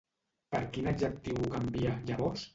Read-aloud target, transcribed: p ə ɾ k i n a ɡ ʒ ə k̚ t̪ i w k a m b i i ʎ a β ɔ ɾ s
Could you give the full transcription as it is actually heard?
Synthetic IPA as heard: p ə ɾ k i n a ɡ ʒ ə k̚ t̪ i w k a m b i a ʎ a β ɔ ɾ s